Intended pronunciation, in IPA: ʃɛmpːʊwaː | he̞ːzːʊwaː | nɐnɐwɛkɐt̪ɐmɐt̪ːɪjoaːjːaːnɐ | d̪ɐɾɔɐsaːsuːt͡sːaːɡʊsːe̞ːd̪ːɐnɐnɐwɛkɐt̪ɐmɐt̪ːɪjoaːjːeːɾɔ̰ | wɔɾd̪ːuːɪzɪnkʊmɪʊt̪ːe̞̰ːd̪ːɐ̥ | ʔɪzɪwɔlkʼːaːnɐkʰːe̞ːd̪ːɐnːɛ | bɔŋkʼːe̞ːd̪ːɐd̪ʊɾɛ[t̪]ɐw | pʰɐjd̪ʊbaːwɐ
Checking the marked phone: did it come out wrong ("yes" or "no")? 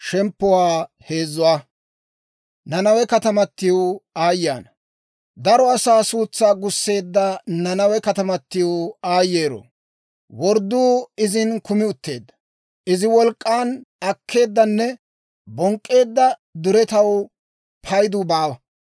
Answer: no